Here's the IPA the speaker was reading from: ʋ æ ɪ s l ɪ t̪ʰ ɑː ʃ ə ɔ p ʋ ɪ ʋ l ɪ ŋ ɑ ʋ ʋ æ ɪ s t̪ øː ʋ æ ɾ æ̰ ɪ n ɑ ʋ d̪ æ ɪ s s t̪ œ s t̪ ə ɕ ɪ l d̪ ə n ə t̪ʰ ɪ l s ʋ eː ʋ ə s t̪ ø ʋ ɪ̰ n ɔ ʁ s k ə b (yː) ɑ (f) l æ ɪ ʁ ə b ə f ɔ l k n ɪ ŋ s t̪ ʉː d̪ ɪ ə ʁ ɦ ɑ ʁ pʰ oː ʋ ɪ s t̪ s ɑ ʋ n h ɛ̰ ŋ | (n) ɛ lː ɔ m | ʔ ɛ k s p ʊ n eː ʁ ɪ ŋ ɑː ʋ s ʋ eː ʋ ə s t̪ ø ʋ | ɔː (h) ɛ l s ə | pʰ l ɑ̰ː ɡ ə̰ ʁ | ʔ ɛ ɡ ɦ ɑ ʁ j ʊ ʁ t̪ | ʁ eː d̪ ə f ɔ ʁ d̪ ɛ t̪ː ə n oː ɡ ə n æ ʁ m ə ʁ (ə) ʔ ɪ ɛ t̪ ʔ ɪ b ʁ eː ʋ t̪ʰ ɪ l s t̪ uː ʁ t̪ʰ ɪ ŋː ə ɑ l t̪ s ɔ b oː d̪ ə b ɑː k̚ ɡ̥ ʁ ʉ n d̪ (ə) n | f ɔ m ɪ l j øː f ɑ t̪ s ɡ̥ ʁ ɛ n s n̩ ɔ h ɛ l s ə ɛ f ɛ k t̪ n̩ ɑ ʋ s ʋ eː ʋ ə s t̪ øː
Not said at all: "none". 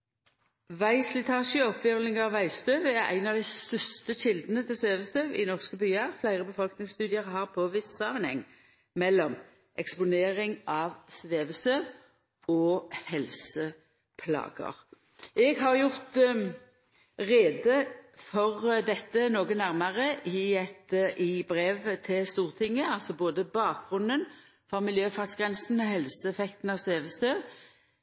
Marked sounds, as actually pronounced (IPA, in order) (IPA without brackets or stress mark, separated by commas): yː, f, m, h, ə, ə